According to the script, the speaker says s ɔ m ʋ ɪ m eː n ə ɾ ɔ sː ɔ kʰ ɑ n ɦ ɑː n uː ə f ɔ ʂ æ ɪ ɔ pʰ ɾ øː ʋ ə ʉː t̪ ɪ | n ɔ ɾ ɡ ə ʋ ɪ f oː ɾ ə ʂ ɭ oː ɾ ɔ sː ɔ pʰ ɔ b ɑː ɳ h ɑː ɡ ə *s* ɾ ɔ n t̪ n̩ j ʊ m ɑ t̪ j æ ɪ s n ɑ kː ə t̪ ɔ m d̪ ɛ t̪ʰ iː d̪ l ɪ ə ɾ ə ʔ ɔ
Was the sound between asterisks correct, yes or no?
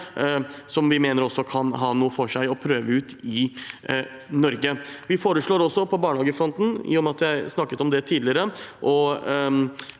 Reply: no